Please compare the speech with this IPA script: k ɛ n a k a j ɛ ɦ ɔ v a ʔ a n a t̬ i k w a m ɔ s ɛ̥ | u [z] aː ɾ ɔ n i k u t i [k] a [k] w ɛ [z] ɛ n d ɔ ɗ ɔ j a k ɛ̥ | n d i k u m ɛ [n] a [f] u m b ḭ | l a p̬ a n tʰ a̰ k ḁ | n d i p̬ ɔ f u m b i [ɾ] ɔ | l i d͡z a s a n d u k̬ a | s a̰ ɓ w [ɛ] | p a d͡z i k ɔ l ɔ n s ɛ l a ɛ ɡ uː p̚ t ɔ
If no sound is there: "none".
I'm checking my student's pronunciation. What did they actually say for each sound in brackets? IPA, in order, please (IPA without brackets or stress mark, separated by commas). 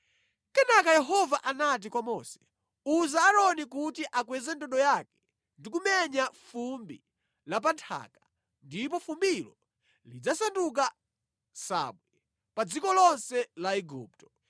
z, ʔ, k, z, ɲ, f, l, ɛ